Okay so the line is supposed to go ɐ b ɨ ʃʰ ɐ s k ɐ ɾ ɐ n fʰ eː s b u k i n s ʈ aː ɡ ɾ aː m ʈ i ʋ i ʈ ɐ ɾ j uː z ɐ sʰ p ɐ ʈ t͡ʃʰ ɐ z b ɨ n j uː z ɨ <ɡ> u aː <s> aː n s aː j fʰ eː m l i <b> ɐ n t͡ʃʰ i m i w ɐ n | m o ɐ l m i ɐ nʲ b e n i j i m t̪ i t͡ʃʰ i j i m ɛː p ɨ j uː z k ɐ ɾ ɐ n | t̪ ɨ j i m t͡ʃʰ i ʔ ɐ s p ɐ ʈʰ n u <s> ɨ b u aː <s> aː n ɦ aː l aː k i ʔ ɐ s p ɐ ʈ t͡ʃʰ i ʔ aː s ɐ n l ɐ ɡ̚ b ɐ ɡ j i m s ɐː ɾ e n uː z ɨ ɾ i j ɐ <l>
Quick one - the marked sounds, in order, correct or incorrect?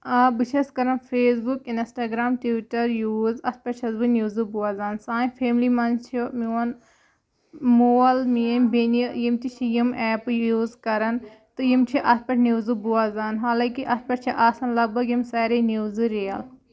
incorrect, incorrect, incorrect, incorrect, incorrect, correct

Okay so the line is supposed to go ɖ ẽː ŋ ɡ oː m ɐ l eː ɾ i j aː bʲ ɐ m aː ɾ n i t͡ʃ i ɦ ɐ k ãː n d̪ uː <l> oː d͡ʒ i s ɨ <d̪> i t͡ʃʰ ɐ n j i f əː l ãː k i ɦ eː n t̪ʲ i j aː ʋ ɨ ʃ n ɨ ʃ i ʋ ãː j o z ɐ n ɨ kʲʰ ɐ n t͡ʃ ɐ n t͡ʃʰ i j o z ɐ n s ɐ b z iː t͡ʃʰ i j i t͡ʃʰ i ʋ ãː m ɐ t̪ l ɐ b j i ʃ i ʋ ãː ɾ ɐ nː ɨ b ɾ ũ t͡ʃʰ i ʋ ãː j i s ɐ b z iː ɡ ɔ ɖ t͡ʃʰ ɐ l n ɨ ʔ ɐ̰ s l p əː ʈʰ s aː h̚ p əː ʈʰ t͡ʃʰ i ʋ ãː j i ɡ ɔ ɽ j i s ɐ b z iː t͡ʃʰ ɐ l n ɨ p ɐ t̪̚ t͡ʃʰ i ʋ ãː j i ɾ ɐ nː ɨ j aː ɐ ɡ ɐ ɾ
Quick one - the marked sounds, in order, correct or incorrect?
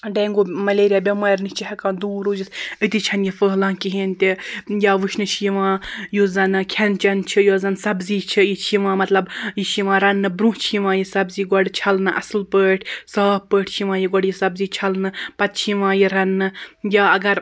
incorrect, incorrect

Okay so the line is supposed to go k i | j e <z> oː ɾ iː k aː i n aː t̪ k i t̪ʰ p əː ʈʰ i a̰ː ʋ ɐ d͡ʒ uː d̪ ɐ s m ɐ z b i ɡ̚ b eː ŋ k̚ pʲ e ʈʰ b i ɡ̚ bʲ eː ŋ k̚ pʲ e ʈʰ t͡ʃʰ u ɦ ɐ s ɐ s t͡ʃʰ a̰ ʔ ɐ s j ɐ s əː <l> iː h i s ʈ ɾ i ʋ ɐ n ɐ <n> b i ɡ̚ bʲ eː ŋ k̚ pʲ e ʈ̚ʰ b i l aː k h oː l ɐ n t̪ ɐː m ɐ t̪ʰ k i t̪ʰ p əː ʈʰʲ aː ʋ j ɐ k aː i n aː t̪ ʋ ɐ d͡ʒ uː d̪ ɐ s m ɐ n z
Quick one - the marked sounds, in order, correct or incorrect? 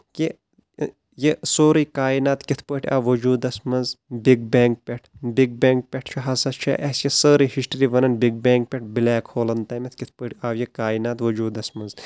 incorrect, incorrect, correct

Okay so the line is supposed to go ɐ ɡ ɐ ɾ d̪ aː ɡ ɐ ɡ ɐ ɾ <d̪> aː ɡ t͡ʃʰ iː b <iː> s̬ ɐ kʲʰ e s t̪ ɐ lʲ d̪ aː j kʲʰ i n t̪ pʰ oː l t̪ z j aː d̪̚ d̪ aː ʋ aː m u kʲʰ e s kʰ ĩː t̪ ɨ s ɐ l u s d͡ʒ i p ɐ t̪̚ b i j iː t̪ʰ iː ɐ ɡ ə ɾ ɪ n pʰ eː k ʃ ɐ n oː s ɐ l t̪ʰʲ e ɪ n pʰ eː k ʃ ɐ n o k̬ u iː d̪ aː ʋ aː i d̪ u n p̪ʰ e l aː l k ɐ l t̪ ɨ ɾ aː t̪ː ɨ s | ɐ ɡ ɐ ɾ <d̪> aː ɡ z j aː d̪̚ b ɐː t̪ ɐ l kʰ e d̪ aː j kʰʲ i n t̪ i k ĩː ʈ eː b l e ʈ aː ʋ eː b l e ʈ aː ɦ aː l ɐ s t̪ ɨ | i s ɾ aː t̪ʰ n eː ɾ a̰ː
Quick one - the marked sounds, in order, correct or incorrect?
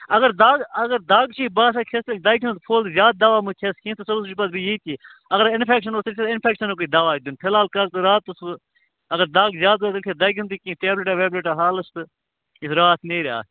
correct, incorrect, correct

